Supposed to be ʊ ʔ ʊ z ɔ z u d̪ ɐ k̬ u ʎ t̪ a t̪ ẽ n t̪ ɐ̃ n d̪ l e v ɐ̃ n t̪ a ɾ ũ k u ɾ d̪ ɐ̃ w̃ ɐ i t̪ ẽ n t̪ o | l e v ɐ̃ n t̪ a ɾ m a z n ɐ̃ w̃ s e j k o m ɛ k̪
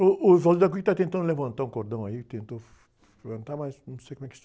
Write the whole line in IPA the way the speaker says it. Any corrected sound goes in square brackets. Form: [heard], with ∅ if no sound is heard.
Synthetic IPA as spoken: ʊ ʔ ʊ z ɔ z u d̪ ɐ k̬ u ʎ t̪ a t̪ ẽ n t̪ ɐ̃ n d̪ l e v ɐ̃ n t̪ a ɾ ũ k [o] ɾ d̪ ɐ̃ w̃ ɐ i t̪ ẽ n t̪ o | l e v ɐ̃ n t̪ a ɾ m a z n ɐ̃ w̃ s e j k o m ɛ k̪